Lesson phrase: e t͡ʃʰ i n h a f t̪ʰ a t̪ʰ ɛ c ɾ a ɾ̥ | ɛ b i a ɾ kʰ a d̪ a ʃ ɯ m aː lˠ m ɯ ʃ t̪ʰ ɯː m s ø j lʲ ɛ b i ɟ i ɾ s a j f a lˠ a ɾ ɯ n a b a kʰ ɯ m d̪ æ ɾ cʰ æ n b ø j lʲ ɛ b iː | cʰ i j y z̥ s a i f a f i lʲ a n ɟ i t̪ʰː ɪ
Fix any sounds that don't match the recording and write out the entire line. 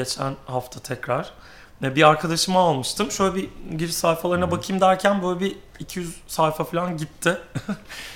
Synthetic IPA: e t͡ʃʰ æ n h a f t̪ʰ a t̪ʰ ɛ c ɾ a ɾ̥ | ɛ b i a ɾ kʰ a d̪ a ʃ ɯ m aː lˠ m ɯ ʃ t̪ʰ ɯ m ʃ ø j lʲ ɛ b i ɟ i ɾ s a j f a lˠ a ɾ ɯ n a b a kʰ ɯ m d̪ æ ɾ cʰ æ n b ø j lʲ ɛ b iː | cʰ i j y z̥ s a j f a f i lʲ a n ɟ i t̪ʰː ɪ